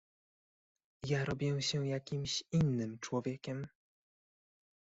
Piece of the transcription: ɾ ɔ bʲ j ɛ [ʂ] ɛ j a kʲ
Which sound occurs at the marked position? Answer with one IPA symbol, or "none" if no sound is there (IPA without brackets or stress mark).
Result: ɕ